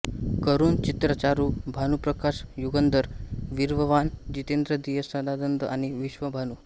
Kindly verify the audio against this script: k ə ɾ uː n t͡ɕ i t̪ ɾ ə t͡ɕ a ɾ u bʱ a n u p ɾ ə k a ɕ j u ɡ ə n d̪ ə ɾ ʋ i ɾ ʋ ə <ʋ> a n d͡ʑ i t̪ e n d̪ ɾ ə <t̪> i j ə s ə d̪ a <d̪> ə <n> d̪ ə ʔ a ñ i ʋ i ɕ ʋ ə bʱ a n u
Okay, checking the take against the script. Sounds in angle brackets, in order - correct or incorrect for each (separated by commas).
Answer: correct, incorrect, correct, correct